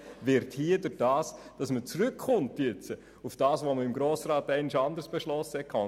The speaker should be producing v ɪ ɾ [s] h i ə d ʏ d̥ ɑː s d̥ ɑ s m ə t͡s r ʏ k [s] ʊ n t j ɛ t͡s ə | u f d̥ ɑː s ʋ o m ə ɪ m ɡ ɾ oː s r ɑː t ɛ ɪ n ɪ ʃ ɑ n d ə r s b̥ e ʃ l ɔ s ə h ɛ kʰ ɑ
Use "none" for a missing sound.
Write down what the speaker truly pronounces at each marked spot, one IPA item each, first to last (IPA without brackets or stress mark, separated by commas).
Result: t, χ